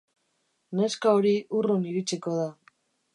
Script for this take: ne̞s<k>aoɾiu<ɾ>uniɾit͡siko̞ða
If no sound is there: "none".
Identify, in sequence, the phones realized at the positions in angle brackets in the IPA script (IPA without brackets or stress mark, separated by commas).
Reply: k, r